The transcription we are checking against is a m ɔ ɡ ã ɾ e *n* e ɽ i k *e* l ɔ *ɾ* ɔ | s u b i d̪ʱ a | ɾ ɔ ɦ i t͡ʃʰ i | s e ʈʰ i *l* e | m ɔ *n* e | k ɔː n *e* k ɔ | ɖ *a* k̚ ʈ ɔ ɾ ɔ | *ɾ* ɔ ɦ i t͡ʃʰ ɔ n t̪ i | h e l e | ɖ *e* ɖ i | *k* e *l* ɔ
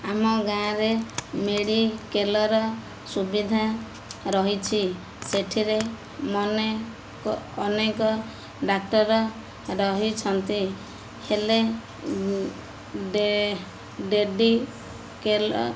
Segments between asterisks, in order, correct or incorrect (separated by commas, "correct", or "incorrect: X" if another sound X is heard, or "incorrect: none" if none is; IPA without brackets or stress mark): incorrect: m, correct, correct, incorrect: ɾ, correct, correct, correct, correct, correct, correct, correct